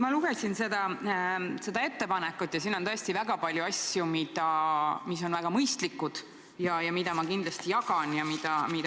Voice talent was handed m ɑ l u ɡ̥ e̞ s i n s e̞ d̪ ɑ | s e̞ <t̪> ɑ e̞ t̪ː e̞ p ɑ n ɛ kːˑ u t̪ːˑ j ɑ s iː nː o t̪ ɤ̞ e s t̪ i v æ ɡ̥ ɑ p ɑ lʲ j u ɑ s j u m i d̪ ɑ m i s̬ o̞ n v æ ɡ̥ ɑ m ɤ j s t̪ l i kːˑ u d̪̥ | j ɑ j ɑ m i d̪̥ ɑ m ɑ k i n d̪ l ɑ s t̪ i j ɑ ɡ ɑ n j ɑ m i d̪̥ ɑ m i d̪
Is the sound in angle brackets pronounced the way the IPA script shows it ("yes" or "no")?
no